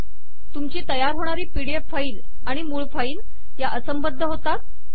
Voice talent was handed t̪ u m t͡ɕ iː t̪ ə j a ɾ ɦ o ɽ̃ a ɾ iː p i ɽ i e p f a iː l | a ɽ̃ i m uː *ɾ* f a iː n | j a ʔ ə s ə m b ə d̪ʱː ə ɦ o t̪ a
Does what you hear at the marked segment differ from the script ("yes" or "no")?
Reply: yes